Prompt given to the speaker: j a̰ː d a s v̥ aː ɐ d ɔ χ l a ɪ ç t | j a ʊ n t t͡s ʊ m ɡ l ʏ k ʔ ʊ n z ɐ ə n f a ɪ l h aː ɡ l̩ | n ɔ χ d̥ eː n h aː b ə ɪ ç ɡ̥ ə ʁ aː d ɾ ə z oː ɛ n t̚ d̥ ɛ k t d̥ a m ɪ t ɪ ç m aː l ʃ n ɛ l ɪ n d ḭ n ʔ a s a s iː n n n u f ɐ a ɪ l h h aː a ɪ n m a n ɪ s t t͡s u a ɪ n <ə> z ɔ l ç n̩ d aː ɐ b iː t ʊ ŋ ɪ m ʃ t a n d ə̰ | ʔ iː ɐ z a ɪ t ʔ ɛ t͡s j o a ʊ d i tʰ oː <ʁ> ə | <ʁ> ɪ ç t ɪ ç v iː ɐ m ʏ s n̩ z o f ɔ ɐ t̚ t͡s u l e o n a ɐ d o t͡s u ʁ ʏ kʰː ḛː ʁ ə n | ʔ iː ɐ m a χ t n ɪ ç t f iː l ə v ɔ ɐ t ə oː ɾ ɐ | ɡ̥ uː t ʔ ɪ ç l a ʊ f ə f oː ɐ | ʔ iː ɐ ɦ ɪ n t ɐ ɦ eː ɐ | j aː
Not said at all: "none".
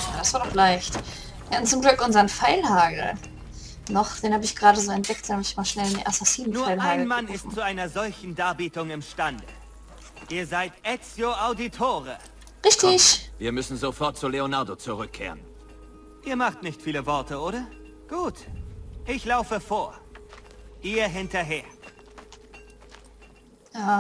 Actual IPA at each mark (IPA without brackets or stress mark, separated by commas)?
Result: ɐ, ʁ, ʁ